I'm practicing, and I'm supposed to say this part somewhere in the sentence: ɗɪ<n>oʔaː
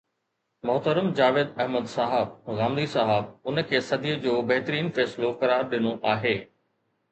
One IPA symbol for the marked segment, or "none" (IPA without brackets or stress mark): n